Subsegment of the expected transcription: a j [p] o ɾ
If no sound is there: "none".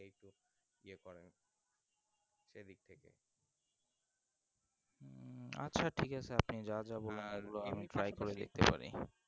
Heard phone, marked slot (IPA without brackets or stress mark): k